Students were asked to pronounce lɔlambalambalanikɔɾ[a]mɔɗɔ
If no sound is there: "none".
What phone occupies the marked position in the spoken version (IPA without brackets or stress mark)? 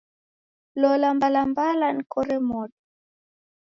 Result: ɛ